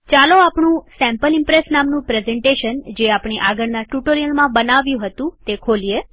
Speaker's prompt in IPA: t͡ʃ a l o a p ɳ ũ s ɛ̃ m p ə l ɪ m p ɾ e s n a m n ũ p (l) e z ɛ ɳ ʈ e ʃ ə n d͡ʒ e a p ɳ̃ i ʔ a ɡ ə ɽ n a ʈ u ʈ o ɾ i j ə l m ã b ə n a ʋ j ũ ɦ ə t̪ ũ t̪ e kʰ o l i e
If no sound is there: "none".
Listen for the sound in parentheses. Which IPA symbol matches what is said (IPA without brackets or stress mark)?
ɾ